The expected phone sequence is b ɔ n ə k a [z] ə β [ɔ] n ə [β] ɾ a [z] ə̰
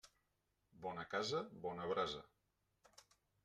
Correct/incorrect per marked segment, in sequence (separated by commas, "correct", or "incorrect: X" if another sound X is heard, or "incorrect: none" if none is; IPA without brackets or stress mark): correct, correct, correct, correct